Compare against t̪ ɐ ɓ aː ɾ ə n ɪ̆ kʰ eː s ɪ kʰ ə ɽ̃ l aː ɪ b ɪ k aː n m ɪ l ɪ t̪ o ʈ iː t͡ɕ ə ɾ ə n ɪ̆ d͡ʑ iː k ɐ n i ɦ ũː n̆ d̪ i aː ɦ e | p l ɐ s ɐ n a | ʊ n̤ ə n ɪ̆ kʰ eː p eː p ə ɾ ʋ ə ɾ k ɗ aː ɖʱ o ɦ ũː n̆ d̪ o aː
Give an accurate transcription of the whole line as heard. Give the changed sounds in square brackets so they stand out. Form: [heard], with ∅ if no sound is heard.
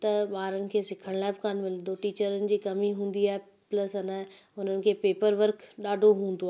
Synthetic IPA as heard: t̪ ɐ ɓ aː ɾ ə n ɪ̆ kʰ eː s ɪ kʰ ə ɽ̃ l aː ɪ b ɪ k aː n m ɪ l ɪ [d̪] o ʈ iː t͡ɕ ə ɾ ə n ɪ̆ d͡ʑ iː k ɐ [m] i ɦ ũː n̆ d̪ i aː ɦ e | p l ɐ s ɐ n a | ʊ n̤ ə n ɪ̆ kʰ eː p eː p ə ɾ ʋ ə ɾ k ɗ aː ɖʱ o ɦ ũː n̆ d̪ o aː